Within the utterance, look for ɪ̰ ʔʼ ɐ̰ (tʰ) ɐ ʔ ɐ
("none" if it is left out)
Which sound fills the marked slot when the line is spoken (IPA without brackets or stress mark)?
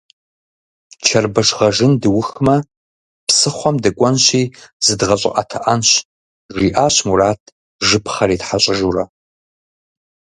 tʰ